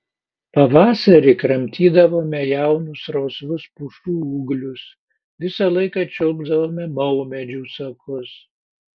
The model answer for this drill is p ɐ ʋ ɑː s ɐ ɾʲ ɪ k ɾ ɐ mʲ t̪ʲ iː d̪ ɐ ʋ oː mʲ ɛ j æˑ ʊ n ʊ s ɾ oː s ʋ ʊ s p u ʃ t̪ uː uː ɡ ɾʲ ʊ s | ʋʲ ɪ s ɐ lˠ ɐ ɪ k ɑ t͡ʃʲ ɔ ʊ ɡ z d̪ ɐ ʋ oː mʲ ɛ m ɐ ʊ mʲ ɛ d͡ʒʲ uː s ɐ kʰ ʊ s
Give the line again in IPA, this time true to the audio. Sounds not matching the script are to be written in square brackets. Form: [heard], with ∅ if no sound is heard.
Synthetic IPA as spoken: p ɐ ʋ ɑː s ɐ ɾʲ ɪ k ɾ ɐ mʲ t̪ʲ iː d̪ ɐ ʋ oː mʲ ɛ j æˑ ʊ n ʊ s ɾ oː s ʋ ʊ s p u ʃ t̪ uː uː ɡ [lʲ] ʊ s | ʋʲ ɪ s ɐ lˠ ɐ ɪ k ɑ t͡ʃʲ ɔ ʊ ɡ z d̪ ɐ ʋ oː mʲ ɛ m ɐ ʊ mʲ ɛ d͡ʒʲ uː s ɐ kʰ ʊ s